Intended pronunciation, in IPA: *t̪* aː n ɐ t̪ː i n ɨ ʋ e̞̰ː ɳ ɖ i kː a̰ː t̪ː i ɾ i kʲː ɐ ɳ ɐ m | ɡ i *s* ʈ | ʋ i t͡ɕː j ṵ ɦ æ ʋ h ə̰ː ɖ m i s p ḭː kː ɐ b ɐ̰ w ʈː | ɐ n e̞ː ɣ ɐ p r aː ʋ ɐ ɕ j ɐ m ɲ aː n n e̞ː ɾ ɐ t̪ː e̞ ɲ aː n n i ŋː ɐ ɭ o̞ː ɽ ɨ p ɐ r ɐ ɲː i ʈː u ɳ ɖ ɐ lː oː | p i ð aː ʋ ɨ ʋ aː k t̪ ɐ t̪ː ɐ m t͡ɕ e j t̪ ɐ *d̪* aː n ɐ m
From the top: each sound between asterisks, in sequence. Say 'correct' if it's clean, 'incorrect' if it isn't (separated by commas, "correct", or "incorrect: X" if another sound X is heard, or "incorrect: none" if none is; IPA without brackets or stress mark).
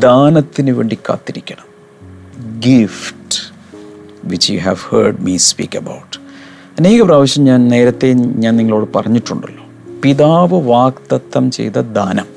incorrect: d̪, incorrect: f, correct